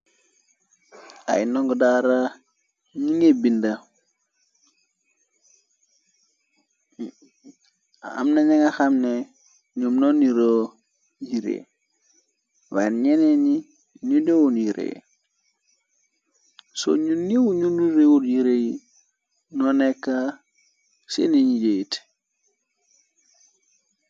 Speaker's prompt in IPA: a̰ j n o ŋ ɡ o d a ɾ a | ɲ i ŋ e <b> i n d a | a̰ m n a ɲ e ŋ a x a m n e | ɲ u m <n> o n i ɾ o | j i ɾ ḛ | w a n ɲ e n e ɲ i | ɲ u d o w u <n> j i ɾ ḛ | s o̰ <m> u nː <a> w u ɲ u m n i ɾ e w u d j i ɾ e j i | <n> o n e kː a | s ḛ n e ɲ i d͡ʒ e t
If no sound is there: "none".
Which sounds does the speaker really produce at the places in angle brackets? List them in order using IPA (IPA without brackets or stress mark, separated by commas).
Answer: b, n, n, ɲ, i, n